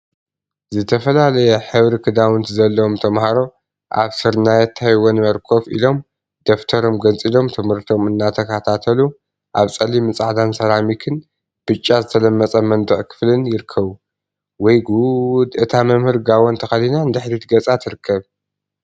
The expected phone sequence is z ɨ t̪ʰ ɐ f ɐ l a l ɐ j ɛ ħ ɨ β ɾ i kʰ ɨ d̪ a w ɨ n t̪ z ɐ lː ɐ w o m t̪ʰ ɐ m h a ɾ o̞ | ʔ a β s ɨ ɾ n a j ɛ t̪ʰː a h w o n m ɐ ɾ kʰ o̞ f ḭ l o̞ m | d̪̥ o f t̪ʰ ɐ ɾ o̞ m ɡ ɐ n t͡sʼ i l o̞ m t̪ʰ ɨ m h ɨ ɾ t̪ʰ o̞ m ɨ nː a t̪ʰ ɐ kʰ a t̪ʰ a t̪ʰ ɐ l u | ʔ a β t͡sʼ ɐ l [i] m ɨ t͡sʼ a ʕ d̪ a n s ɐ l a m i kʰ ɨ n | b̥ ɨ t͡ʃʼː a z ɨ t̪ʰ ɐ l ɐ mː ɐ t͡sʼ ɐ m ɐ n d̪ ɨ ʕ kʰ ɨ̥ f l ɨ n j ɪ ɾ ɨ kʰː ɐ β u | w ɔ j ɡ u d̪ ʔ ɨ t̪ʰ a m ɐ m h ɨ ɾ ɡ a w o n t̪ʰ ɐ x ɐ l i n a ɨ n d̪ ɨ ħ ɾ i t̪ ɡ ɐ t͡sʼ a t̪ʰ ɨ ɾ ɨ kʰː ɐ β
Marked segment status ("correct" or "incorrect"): correct